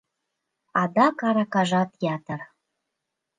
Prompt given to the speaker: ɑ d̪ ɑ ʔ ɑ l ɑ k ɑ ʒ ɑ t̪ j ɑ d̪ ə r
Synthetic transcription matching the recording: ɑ d̪ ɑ k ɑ ɾ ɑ k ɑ ʒ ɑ t̪ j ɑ t̪ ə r

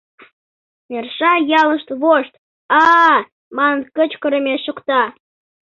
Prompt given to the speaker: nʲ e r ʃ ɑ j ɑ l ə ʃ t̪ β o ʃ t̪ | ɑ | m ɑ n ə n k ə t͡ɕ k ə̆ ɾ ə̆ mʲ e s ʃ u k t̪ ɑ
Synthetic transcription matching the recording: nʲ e r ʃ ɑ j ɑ l ə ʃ t̪ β o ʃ t̪ | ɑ | m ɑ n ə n k ə t͡ɕ k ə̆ ɾ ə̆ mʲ e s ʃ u k t̪ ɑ

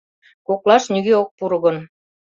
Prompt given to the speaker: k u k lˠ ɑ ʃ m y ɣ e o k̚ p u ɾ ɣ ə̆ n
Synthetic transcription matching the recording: k o k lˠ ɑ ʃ n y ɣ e o k̚ p u ɾ ɣ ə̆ n

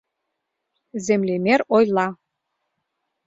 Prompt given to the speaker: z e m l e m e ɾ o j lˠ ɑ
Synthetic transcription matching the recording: z e m l e m e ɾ o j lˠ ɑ

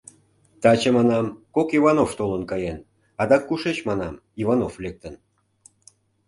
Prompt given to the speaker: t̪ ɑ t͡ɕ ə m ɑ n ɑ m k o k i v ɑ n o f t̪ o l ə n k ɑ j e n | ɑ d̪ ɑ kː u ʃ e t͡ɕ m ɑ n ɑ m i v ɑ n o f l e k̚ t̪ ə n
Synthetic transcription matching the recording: t̪ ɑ t͡ɕ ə m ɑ n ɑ m k o k i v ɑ n o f t̪ o l ə n k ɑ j e n | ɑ d̪ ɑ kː u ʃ e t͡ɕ m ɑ n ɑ m i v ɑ n o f l e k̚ t̪ ə n

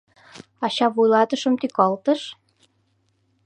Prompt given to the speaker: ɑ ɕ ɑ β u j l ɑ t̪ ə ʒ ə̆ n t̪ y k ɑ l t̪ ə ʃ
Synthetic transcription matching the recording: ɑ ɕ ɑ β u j l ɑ t̪ ə ʃ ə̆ m t̪ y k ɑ l t̪ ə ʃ

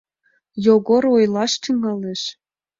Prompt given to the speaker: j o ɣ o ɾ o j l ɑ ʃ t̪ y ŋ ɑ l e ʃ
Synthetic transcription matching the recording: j o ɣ o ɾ o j l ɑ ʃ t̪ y ŋ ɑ l e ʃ

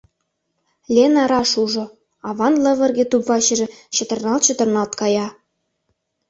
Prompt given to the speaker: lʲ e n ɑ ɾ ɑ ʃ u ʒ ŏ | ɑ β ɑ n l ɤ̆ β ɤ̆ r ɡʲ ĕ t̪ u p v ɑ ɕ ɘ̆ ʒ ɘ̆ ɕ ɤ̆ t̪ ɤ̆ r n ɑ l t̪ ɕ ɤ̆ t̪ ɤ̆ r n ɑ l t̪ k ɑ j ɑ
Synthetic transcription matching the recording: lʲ e n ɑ ɾ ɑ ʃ u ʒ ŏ | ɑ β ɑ n l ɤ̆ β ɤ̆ r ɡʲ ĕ t̪ u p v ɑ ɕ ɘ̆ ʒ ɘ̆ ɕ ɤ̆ t̪ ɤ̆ r n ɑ l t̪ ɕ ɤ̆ t̪ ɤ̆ r n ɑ l t̪ k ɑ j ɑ

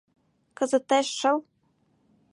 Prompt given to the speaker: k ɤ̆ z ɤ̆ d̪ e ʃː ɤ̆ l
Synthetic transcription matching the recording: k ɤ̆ z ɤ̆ t̪ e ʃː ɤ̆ l

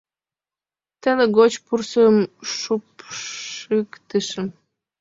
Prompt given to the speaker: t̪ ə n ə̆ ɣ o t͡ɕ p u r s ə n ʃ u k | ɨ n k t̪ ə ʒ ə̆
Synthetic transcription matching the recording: t̪ ə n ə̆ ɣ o t͡ɕ p u r s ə m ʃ u p | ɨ k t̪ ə ʃ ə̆

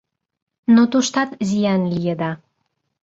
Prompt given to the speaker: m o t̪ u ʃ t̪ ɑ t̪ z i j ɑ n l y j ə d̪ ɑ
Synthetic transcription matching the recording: n o t̪ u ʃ t̪ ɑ t̪ z i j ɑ n l i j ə d̪ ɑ

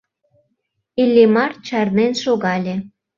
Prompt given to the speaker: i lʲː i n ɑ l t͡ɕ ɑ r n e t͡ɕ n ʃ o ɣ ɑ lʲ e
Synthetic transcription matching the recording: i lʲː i m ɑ r t͡ɕ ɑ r n e n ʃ o ɣ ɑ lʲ e

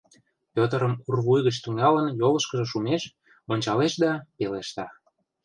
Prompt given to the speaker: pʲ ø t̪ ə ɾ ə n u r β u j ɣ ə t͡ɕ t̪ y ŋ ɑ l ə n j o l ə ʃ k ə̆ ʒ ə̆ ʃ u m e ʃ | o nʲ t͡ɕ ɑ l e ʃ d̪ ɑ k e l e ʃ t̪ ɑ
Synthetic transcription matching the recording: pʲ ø t̪ ə ɾ ə m u r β u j ɣ ə t͡ɕ t̪ y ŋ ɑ l ə n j o l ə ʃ k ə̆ ʒ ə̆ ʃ u m e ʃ | o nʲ t͡ɕ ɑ l e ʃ d̪ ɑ p e l e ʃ t̪ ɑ

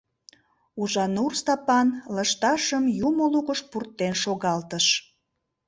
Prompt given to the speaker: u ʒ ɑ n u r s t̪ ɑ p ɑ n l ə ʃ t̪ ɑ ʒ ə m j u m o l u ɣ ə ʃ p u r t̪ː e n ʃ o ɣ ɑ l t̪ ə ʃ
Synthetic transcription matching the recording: u ʒ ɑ n u r s t̪ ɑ p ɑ n l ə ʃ t̪ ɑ ʃ ə m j u m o l u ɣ ə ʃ p u r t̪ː e n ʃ o ɣ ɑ l t̪ ə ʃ

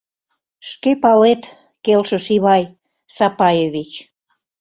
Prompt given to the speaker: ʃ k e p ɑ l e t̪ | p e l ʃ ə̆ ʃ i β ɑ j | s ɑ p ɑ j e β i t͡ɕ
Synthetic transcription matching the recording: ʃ k e p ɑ l e t̪ | k e l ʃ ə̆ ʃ i β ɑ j | s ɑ p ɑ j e β i t͡ɕ

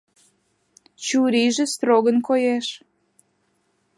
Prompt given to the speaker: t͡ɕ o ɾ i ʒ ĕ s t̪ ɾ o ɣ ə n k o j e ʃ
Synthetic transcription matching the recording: t͡ɕ u ɾ i ʒ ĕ s t̪ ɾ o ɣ ə n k o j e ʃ

